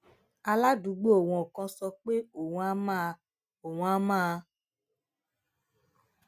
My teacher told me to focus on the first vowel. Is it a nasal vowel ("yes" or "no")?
no